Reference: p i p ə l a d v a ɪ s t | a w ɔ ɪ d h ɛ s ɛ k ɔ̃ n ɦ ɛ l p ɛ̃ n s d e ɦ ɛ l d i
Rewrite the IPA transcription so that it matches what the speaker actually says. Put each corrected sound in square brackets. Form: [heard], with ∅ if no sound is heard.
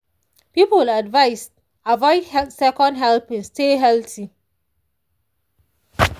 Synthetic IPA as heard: p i p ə l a d v a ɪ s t | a [v] ɔ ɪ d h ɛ s ɛ k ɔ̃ n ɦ ɛ l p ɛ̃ n s [t] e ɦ ɛ l [t] i